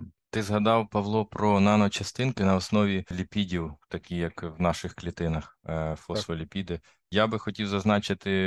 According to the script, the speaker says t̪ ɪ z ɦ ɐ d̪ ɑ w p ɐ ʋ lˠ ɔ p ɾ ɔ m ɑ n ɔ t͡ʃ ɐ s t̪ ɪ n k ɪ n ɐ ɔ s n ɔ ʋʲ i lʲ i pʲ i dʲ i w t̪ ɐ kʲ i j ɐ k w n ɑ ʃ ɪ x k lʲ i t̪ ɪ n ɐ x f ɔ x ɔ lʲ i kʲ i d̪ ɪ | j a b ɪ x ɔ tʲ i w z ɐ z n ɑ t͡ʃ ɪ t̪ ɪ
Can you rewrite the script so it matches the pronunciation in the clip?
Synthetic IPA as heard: t̪ ɪ z ɦ ɐ d̪ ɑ w p ɐ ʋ lˠ ɔ p ɾ ɔ n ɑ n ɔ t͡ʃ ɐ s t̪ ɪ n k ɪ n ɐ ɔ s n ɔ ʋʲ i lʲ i pʲ i dʲ i w t̪ ɐ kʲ i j ɐ k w n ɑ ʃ ɪ x k lʲ i t̪ ɪ n ɐ x f ɔ s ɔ lʲ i pʲ i d̪ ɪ | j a b ɪ x ɔ tʲ i w z ɐ z n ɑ t͡ʃ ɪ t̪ ɪ